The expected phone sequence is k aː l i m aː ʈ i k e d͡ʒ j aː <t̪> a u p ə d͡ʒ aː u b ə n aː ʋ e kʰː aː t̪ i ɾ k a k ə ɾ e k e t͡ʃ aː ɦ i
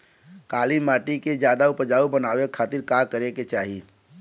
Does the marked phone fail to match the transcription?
yes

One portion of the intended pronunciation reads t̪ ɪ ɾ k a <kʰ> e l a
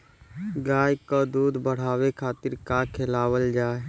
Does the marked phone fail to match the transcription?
no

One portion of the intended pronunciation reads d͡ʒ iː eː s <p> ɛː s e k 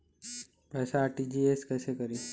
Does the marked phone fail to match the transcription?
yes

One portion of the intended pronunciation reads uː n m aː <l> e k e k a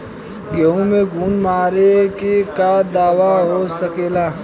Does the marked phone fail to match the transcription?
yes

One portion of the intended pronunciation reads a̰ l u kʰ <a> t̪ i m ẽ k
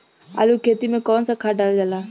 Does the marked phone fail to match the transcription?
yes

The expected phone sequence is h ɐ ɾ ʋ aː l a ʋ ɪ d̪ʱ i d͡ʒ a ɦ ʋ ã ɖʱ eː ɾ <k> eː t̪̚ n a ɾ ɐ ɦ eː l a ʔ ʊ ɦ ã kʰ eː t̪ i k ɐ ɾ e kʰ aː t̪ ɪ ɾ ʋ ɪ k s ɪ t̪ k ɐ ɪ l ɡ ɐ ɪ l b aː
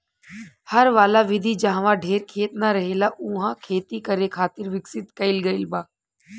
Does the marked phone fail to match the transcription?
yes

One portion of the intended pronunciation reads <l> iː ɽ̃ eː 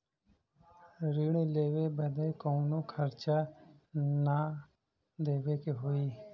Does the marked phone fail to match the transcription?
yes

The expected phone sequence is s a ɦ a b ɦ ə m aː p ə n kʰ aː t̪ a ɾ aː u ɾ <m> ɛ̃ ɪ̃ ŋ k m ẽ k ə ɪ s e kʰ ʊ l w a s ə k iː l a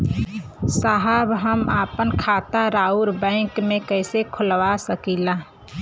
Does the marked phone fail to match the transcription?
yes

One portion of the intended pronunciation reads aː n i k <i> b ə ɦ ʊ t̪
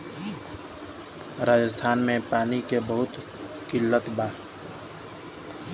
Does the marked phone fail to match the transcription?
yes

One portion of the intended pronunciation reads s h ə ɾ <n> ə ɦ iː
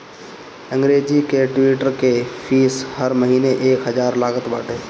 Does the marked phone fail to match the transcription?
yes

